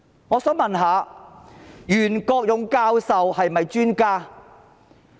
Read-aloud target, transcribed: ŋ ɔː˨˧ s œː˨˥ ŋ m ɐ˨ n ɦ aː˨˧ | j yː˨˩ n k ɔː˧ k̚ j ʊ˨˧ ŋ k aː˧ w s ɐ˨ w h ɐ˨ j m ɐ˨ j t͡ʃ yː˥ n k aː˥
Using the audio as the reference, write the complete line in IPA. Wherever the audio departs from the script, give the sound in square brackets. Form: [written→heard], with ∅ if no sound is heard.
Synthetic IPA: ŋ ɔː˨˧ s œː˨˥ ŋ m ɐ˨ n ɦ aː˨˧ | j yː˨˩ n k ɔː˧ k̚ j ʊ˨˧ ŋ k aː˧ w s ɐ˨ w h ɐ˨ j m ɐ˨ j t͡ʃ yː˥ n k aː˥